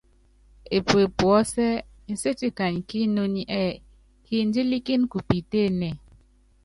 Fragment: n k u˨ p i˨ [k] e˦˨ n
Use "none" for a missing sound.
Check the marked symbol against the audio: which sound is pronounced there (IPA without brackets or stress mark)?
t